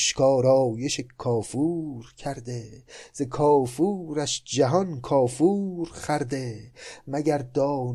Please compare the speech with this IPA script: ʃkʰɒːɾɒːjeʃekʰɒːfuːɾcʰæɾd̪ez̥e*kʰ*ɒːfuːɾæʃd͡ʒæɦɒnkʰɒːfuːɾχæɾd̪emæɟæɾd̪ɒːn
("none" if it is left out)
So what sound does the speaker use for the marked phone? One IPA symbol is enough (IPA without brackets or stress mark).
kʰ